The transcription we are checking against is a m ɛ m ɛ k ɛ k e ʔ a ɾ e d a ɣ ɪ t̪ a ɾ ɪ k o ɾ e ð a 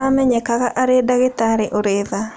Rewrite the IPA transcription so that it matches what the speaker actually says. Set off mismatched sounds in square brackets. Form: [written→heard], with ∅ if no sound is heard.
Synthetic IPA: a m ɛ [m→ɲ] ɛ k [ɛ→a] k [e→a] ʔ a ɾ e d a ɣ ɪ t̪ a ɾ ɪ [k→ʔ] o ɾ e ð a